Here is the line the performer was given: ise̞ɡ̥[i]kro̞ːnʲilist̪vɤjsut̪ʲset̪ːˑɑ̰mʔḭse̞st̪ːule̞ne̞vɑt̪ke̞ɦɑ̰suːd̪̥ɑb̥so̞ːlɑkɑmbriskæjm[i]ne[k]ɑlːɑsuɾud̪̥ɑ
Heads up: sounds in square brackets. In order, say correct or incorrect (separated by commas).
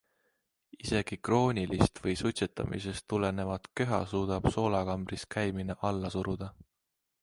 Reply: correct, correct, incorrect